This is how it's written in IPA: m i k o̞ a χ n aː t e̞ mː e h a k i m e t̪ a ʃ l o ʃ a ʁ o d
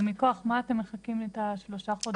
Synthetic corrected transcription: m i k o̞ a χ m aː t e̞ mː e χ a k i m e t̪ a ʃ l o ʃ a χ o d